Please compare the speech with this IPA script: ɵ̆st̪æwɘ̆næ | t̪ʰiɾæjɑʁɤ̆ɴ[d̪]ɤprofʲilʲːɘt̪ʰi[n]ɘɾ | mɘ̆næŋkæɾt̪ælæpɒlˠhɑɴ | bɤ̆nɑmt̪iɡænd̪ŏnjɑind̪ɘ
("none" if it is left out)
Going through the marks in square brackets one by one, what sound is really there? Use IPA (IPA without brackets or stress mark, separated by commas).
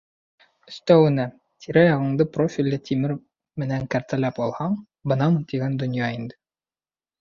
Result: d̪, m